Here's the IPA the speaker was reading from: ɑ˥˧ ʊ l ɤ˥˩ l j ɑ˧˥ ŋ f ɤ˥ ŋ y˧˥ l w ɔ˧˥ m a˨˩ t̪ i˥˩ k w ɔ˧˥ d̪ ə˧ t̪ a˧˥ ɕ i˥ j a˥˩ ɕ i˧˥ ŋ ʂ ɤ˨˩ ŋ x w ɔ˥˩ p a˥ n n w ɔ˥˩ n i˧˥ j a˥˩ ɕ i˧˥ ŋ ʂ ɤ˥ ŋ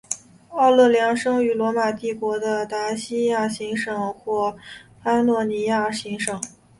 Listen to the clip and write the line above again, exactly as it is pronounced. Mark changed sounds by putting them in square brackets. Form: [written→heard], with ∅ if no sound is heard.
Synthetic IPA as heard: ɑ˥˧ ʊ l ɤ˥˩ l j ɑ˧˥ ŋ [f→ʂ] ɤ˥ ŋ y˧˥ l w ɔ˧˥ m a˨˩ t̪ i˥˩ k w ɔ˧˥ d̪ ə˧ t̪ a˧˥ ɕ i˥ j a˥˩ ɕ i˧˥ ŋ ʂ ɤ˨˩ ŋ x w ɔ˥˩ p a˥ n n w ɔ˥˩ n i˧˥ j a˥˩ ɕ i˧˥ ŋ ʂ [ɤ˥→ɤ˨˩˦] ŋ